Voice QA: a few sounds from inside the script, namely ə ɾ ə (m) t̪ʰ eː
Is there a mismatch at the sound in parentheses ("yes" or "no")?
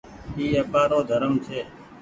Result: no